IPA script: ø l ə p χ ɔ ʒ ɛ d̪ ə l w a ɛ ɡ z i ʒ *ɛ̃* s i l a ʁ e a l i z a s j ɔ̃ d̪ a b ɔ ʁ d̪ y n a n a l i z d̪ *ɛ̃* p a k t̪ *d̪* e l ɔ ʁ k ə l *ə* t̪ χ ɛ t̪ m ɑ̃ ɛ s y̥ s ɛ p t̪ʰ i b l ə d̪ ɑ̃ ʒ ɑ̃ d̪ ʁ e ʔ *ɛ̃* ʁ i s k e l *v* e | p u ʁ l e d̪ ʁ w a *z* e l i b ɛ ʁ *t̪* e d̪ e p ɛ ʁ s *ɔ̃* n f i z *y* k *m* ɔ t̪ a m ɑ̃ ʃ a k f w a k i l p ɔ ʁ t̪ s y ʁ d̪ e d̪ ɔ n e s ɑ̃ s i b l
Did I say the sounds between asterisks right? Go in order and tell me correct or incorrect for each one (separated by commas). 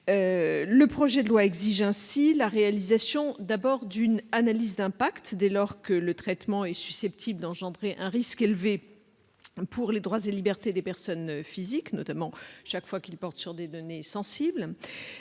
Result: correct, correct, correct, correct, correct, correct, correct, correct, incorrect, incorrect, incorrect